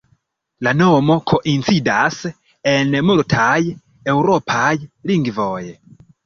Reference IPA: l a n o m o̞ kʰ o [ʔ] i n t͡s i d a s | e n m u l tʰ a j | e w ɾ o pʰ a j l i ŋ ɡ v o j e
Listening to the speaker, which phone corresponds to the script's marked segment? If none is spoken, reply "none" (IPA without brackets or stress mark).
ʔ